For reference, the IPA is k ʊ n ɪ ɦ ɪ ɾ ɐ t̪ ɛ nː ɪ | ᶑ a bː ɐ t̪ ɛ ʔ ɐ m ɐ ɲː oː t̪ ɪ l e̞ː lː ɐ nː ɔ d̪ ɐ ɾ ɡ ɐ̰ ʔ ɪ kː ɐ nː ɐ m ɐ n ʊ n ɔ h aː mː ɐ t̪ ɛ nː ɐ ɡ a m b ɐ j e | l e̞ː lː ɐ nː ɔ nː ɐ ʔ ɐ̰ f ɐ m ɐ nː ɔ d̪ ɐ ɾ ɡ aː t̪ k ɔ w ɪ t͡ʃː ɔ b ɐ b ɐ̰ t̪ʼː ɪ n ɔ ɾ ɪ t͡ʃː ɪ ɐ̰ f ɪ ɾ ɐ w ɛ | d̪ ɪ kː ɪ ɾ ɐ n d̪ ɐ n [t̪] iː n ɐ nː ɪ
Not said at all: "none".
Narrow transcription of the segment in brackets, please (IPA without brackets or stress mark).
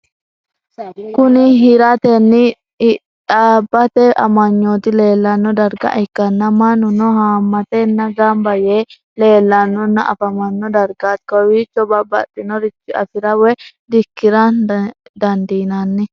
d̪